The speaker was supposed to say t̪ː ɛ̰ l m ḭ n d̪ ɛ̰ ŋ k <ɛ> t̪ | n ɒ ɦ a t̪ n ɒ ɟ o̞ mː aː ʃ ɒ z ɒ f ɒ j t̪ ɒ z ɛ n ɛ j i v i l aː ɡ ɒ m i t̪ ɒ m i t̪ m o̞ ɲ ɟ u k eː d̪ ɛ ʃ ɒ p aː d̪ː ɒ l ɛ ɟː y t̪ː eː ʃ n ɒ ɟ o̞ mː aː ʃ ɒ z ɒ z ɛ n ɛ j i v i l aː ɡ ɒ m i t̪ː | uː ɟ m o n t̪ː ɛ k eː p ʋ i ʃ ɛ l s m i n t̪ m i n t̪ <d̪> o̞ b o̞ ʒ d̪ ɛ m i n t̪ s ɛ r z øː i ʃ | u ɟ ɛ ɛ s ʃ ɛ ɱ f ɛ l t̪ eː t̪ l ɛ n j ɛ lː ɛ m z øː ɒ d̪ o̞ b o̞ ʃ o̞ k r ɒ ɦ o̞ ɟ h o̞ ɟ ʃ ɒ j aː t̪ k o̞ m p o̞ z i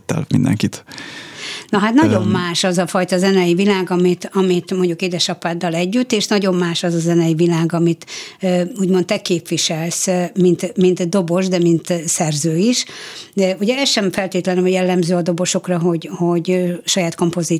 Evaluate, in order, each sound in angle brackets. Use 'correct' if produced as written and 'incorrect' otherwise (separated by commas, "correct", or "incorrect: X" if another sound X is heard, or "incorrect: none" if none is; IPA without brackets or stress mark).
incorrect: i, correct